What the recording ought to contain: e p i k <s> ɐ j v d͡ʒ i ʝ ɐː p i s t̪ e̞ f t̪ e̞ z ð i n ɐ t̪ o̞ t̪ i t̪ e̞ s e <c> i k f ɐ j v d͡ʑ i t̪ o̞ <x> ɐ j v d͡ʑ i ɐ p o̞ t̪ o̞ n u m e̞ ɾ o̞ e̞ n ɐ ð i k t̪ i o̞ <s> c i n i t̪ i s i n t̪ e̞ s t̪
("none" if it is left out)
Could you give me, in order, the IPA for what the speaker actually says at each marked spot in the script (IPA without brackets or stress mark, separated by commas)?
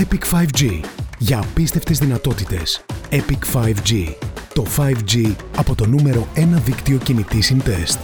f, p, f, none